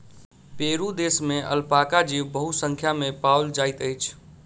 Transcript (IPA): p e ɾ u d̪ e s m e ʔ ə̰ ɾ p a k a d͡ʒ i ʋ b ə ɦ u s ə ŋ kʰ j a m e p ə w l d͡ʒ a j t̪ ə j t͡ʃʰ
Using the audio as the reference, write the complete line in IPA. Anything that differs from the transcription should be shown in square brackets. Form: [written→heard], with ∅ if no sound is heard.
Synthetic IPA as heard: p e ɾ u d̪ e s m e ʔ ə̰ [ɾ→l] p a k a d͡ʒ i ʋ b ə ɦ u s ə ŋ kʰ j a m e p [ə→a] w l d͡ʒ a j t̪ ə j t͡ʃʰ